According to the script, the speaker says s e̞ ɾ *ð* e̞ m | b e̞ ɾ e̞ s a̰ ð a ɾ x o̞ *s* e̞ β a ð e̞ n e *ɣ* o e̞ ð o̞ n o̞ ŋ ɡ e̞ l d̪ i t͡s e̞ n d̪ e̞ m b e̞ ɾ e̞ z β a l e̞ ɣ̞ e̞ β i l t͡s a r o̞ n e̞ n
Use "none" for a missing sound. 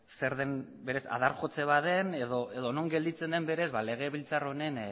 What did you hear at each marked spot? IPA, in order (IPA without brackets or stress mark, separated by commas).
ð, t͡s, ð